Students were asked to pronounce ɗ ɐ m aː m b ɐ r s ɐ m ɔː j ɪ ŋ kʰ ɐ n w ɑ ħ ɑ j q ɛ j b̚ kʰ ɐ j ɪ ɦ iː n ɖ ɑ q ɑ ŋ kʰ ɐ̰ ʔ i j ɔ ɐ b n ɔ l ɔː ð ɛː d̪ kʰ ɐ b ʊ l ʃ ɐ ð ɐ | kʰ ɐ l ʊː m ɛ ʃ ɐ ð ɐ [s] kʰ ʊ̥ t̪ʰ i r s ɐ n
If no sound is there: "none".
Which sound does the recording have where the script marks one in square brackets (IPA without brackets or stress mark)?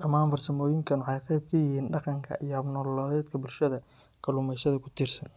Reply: none